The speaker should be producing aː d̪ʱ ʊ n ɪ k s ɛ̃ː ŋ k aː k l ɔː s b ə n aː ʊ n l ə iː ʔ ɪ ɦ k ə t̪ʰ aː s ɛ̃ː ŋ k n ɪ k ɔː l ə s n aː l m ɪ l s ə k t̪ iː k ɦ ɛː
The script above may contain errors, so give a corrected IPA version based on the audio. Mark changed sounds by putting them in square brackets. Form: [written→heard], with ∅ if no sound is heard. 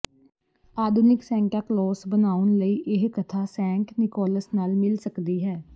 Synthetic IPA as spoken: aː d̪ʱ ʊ n ɪ k s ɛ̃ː ŋ k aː k l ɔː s b ə n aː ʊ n l ə iː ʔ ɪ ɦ k ə t̪ʰ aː s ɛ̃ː ŋ k n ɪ k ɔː l ə s n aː l m ɪ l s ə k [t̪→d̪] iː [k→∅] ɦ ɛː